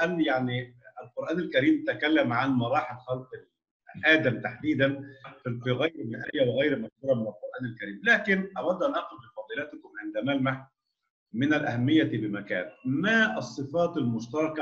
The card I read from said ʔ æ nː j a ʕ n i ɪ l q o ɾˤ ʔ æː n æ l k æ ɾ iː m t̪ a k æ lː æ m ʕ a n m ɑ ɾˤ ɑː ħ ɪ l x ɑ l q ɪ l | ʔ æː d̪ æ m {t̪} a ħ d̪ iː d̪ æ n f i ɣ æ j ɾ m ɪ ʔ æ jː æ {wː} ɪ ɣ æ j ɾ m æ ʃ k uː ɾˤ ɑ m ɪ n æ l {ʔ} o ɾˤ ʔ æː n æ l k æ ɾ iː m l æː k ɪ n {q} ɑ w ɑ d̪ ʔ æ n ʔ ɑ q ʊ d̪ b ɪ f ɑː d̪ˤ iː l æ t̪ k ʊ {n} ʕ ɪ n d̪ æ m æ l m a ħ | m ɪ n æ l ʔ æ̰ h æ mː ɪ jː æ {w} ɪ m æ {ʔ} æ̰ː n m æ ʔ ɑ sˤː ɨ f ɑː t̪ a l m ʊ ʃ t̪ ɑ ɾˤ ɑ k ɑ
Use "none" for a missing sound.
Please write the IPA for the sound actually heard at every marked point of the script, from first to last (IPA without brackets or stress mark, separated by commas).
t̪, w, q, ʔ, m, b, k